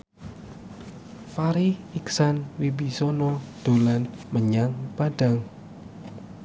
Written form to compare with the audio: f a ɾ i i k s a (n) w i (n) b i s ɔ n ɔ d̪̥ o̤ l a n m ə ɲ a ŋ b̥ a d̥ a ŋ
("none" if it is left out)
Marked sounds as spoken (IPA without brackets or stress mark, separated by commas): n, none